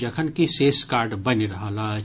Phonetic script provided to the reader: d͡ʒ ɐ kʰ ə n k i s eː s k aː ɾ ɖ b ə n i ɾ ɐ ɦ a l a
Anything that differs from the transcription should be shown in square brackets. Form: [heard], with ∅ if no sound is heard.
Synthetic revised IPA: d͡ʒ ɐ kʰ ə n k i s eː s k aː ɾ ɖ b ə n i ɾ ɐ ɦ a l a